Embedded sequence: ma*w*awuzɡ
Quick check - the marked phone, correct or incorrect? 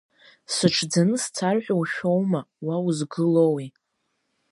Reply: correct